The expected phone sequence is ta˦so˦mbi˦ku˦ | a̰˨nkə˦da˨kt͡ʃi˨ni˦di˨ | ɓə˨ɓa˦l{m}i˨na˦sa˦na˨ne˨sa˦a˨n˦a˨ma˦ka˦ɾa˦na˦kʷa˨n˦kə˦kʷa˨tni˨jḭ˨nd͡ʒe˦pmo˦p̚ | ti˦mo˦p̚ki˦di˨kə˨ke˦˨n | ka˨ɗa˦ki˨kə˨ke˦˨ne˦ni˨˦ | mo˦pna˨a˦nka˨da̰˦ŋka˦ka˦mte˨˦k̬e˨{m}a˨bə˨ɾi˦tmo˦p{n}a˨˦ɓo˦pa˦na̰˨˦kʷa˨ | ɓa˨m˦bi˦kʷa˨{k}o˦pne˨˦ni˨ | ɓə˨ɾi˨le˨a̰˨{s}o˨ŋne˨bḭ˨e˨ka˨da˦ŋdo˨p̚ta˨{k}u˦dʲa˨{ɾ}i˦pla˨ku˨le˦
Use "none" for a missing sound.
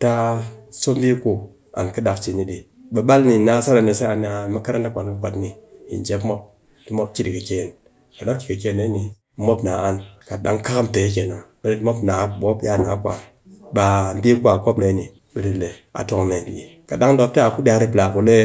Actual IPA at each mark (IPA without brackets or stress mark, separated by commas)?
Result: n, n, n, k, t, k, ɾ